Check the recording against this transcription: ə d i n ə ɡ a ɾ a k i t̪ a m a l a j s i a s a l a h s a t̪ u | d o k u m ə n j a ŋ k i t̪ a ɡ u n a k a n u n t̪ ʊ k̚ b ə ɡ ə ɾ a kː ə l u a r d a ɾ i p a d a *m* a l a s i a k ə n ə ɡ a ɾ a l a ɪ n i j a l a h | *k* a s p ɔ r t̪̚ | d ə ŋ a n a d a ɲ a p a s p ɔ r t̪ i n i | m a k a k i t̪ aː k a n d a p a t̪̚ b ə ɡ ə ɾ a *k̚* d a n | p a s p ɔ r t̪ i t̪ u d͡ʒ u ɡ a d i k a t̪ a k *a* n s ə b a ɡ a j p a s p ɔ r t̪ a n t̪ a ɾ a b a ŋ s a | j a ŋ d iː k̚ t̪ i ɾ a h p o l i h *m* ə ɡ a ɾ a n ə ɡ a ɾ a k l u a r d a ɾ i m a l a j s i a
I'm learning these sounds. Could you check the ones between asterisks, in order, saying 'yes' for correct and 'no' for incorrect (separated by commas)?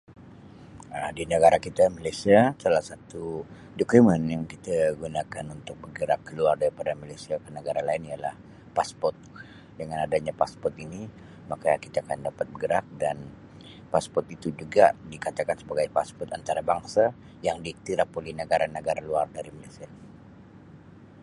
yes, no, yes, yes, no